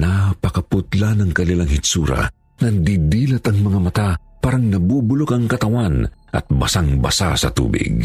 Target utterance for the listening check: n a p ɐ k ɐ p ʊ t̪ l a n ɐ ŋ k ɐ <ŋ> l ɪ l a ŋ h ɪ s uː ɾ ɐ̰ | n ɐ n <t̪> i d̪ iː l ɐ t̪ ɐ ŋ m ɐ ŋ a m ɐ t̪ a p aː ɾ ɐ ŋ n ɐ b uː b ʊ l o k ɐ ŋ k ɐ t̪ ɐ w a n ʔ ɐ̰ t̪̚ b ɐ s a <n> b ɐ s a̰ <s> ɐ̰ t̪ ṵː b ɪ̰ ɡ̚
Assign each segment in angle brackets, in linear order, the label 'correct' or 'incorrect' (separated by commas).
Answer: incorrect, incorrect, incorrect, correct